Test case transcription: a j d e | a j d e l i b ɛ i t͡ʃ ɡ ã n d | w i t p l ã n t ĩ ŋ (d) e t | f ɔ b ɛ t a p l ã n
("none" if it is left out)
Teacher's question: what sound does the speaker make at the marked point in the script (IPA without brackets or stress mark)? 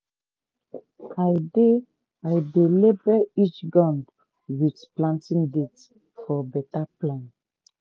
d